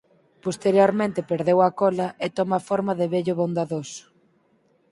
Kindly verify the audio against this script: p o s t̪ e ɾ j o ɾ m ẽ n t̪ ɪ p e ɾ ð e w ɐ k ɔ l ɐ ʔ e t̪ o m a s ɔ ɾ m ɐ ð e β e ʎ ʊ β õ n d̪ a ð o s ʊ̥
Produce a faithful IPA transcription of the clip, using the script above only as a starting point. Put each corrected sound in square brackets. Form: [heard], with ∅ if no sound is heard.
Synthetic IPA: p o s t̪ e ɾ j o ɾ m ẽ n t̪ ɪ p e ɾ ð e w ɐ k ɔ l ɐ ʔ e t̪ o m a [f] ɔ ɾ m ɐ ð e β e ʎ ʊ β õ n d̪ a ð o s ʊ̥